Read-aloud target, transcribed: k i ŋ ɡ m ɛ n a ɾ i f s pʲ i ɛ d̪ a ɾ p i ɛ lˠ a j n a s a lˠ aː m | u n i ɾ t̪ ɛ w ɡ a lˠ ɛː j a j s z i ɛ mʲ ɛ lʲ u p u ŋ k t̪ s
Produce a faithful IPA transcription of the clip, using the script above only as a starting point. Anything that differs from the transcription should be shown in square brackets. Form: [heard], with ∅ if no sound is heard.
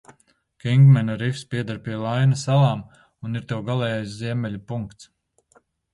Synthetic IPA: k i ŋ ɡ m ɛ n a ɾ i f s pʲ i ɛ d̪ a ɾ p i ɛ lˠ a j n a s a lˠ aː m | u n i ɾ t̪ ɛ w ɡ a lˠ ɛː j a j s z i ɛ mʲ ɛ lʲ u p u ŋ k t̪ s